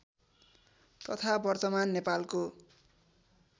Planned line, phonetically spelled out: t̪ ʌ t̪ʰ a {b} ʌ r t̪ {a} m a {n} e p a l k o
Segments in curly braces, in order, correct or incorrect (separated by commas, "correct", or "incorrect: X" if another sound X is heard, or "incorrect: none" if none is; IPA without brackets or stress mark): correct, incorrect: ʌ, incorrect: nː